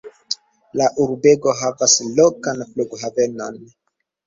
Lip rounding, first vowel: unrounded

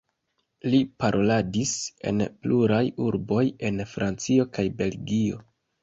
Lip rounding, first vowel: unrounded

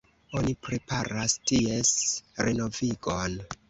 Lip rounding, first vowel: rounded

